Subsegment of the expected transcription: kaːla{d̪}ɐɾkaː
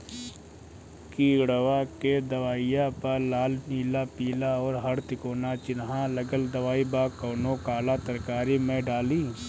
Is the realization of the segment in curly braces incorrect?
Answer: yes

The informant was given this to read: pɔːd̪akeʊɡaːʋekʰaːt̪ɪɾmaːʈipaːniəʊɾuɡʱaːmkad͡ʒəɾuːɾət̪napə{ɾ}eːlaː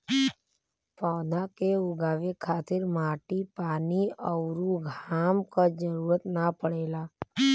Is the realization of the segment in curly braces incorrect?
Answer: yes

